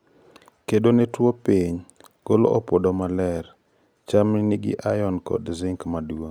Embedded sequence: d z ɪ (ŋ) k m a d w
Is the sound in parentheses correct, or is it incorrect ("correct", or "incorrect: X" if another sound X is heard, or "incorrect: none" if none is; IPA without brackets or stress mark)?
correct